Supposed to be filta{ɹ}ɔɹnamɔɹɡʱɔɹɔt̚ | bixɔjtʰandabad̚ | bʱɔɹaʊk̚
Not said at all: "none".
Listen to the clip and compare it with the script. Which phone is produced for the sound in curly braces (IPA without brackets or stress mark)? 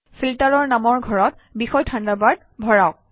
ɹ